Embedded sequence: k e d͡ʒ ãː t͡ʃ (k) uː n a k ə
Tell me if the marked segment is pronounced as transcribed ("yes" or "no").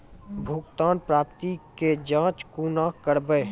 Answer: yes